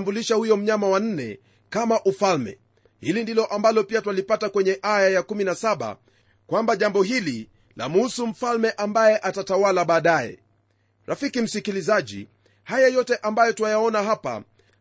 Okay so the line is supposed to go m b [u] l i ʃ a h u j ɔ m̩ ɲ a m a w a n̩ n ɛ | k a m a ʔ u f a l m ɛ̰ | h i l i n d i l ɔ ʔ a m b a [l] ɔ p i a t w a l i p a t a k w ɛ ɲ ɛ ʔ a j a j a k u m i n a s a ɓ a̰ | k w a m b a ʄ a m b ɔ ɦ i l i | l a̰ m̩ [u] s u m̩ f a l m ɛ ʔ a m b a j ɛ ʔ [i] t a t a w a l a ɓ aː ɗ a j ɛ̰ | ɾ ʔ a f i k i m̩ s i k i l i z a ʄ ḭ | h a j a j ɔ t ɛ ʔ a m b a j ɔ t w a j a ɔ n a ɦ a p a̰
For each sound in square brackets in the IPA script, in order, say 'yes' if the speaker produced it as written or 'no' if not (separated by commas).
yes, yes, yes, no